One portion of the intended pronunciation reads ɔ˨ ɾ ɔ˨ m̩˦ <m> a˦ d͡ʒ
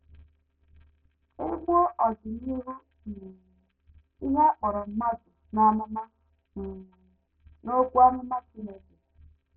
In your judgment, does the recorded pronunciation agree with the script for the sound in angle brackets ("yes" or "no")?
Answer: yes